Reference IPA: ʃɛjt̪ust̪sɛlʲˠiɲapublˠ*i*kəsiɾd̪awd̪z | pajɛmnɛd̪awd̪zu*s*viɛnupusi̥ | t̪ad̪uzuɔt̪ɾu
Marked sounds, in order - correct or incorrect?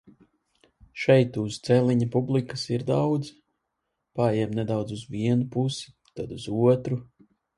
correct, incorrect: z

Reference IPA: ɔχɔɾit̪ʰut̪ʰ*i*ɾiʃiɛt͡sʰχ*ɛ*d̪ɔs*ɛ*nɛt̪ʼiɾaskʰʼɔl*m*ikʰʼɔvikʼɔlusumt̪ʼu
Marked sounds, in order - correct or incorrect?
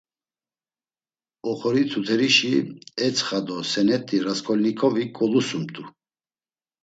incorrect: ɛ, incorrect: a, correct, incorrect: n

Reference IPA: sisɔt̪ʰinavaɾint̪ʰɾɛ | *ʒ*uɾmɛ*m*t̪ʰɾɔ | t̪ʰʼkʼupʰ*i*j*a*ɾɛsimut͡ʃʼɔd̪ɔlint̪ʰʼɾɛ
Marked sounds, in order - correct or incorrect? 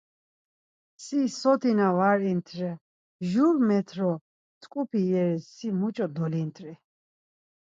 correct, incorrect: none, correct, incorrect: ɛ

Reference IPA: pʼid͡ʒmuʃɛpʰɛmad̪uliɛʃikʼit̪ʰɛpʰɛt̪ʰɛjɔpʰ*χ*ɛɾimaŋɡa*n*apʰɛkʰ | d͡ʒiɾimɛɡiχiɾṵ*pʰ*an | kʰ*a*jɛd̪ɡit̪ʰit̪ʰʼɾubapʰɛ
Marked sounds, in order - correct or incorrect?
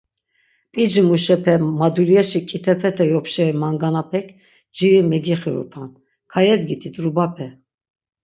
incorrect: ʃ, correct, correct, correct

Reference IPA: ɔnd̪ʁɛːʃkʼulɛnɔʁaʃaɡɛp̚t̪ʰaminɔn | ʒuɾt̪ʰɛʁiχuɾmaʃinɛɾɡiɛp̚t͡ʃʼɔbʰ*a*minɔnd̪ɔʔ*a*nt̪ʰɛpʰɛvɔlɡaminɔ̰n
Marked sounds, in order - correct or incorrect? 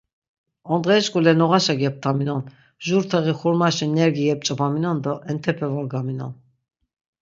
correct, incorrect: ɛ

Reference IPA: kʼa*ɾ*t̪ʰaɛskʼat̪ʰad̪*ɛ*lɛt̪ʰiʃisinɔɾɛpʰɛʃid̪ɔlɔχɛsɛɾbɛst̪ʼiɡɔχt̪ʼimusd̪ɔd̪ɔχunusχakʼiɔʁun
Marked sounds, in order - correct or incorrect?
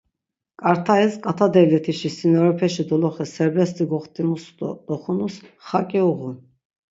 correct, correct

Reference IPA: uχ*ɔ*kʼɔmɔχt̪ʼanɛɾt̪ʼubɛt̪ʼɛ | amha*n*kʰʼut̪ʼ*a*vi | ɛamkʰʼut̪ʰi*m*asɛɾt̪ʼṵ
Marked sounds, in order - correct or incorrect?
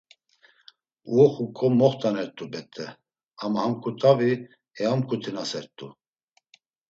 incorrect: u, incorrect: m, correct, incorrect: n

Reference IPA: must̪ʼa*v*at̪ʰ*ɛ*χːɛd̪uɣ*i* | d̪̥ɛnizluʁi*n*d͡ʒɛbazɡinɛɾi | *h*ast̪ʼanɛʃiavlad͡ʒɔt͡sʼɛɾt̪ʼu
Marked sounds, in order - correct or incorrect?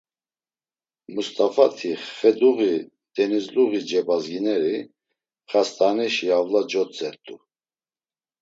incorrect: f, incorrect: i, correct, incorrect: none, incorrect: χ

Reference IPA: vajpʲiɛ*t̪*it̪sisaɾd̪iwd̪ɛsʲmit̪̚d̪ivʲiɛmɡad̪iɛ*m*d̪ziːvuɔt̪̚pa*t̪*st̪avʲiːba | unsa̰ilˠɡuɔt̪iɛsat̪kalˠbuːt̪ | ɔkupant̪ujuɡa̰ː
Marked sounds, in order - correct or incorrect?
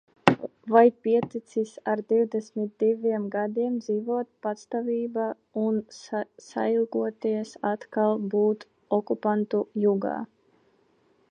correct, correct, correct

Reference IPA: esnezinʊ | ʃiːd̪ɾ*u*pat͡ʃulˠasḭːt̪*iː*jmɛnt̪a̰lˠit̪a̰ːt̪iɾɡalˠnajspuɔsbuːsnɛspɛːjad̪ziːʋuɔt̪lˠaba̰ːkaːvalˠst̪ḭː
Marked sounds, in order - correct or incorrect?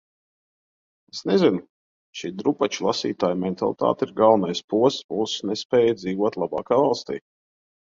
correct, incorrect: aː

